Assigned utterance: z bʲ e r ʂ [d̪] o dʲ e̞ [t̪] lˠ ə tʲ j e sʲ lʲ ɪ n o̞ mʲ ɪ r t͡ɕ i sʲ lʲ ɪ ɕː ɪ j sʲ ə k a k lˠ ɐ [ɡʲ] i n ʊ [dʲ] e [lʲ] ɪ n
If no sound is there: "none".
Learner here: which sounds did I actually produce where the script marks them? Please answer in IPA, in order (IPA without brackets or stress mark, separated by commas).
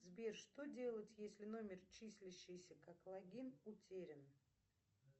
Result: t̪, none, ɡʲ, tʲ, ɾʲ